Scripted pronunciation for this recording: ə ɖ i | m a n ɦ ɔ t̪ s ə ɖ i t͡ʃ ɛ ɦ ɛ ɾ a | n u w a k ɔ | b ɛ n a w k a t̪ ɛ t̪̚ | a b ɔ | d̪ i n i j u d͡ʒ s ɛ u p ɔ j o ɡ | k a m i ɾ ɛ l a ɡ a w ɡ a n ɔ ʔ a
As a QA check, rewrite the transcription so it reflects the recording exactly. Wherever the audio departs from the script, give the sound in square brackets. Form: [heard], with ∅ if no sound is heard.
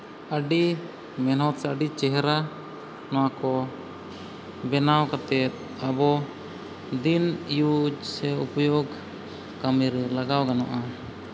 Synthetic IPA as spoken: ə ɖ i | m [ɛ] n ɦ ɔ t̪ s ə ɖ i t͡ʃ ɛ ɦ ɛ ɾ a | n [ɔ] w a k ɔ | b ɛ n a w k a t̪ ɛ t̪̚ | a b ɔ | d̪ i n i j u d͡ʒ s ɛ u p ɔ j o ɡ | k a m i ɾ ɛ l a ɡ a w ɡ a n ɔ ʔ a